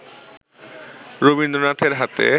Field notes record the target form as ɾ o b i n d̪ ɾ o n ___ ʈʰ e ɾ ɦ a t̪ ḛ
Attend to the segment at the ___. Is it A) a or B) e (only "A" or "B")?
A